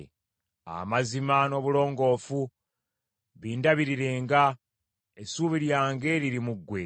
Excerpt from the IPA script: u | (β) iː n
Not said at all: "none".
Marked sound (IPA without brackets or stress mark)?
β